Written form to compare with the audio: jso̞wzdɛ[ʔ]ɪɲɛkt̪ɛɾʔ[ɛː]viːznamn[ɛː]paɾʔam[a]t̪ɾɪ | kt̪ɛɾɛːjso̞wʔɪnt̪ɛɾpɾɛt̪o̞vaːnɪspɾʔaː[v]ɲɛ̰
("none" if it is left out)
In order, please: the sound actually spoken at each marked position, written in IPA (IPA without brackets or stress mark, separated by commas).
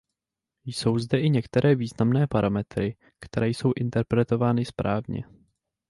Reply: ʔ, ɛː, ɛː, ɛ, v